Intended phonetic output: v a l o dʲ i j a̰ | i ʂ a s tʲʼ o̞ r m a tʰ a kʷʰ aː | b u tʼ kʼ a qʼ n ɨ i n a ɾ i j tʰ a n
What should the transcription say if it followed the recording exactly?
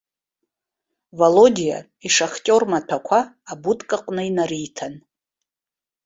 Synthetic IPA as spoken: v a l o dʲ i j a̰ | i ʂ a χ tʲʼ o̞ r m a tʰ a kʷʰ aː | b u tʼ kʼ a qʼ n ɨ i n a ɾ i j tʰ a n